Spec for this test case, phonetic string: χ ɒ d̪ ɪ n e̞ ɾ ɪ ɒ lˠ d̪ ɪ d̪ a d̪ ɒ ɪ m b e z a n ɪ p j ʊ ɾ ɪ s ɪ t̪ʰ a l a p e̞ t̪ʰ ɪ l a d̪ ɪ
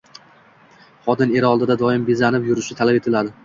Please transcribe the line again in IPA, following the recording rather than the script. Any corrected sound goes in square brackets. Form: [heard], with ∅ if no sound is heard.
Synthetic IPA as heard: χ ɒ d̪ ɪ n e̞ ɾ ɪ ɒ lˠ d̪ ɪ d̪ a d̪ ɒ ɪ m b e z a n ɪ p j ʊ ɾ ɪ [ʃ] ɪ t̪ʰ a l a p e̞ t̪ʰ ɪ l a d̪ ɪ